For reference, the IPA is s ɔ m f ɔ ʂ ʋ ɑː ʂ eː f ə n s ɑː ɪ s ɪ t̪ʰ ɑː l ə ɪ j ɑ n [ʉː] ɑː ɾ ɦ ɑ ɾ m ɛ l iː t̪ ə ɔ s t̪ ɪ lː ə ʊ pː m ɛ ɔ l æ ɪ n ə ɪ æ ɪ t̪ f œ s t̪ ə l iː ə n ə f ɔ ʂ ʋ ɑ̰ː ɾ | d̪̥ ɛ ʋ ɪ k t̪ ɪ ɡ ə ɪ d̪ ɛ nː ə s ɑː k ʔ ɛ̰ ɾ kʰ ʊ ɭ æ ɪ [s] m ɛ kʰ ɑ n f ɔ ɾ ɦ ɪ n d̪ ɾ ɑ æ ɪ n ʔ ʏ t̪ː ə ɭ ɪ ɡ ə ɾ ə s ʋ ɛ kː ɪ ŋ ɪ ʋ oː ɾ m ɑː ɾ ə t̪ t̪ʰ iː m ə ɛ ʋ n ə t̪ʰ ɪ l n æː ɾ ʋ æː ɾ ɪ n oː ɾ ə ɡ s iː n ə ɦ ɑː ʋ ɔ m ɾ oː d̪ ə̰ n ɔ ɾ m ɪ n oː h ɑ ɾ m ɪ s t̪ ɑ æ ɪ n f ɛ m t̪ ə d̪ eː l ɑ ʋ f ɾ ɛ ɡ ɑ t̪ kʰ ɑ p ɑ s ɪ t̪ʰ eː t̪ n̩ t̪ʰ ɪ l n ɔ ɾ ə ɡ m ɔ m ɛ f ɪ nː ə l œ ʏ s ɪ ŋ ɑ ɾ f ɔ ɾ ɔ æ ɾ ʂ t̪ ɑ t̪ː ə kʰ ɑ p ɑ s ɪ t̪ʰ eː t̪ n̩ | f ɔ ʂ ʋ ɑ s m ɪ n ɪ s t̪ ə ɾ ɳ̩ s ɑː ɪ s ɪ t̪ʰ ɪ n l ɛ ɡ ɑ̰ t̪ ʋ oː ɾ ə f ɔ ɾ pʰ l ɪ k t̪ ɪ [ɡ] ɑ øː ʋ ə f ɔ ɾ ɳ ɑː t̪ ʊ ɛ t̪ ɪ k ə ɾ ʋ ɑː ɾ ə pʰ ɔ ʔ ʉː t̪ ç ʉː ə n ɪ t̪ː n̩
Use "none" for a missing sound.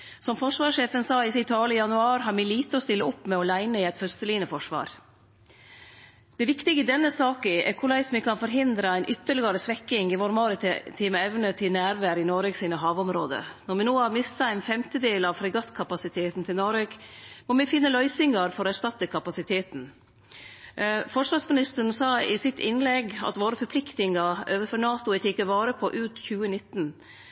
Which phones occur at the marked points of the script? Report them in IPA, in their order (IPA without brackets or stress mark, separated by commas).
ʉ, s, ŋ